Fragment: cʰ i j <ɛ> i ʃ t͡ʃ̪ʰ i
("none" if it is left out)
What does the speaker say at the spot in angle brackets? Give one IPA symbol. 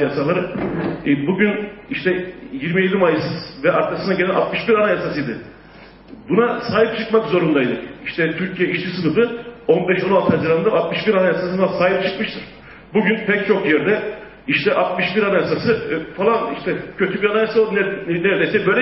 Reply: ɛ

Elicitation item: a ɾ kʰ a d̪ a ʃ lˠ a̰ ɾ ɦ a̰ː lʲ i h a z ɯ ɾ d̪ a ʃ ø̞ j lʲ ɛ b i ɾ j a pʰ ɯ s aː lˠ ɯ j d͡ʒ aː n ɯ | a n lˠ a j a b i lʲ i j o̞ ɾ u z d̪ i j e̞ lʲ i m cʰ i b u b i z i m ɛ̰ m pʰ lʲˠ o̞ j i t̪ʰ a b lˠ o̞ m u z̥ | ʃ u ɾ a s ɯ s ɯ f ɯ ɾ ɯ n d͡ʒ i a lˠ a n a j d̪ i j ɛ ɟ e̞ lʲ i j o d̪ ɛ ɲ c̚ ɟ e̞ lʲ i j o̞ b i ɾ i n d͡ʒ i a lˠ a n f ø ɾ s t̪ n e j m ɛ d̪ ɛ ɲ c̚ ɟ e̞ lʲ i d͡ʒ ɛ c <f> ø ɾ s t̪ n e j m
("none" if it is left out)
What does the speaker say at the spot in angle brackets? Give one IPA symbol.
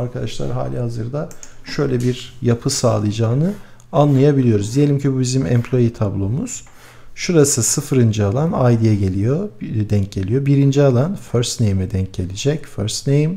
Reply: f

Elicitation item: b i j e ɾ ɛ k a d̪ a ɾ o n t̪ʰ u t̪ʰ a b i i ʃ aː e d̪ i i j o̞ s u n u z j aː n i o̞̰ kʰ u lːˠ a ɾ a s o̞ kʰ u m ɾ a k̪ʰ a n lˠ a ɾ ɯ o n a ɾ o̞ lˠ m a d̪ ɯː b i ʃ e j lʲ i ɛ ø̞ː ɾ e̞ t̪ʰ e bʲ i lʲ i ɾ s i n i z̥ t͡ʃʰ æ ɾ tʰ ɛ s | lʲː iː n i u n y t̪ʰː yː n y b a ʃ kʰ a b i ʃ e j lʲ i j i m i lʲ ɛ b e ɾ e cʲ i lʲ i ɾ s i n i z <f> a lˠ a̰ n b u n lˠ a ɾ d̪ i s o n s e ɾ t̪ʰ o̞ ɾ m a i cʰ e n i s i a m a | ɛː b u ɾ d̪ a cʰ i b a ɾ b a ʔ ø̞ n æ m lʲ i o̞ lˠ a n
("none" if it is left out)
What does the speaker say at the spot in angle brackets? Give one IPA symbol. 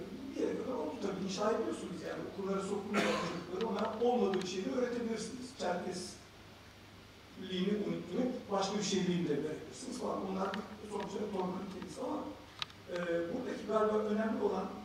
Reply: f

